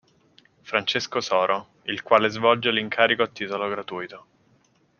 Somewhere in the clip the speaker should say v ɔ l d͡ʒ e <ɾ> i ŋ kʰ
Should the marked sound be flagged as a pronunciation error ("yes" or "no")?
yes